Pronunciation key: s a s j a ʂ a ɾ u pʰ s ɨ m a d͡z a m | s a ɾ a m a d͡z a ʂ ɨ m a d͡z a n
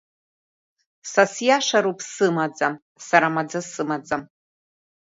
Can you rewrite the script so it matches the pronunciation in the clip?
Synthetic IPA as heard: s a s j a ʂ a ɾ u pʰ s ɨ m a d͡z a m | s a ɾ a m a d͡z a s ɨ m a d͡z a m